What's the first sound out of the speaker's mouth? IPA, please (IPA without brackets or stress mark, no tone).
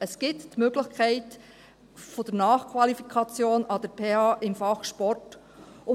ə